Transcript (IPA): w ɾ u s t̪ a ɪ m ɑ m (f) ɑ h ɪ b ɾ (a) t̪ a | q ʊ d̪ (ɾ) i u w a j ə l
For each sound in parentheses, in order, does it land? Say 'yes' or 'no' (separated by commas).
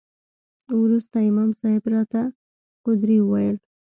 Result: no, no, yes